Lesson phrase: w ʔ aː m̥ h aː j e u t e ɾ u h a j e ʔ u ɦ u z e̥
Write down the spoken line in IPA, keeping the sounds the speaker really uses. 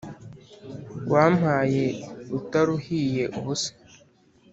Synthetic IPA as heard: w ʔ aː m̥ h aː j e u t a ɾ u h i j e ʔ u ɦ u s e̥